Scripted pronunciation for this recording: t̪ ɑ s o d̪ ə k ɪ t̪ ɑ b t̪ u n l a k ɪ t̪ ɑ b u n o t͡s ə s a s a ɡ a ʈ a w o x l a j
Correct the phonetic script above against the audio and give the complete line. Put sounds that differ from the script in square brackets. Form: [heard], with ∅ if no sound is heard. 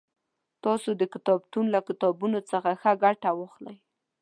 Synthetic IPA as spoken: t̪ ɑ s o d̪ ə k ɪ t̪ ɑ b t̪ u n l a k ɪ t̪ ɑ b u n o t͡s ə [x] a [x] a ɡ a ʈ a w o x l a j